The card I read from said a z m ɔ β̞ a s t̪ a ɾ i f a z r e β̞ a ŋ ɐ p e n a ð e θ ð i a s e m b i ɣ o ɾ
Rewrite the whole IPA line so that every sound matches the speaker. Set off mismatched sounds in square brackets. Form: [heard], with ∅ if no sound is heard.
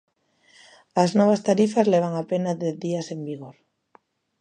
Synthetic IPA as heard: a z [n] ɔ β̞ a s t̪ a ɾ i f a z [l] e β̞ a ŋ [a] p e n a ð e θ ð i a s e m b i ɣ o ɾ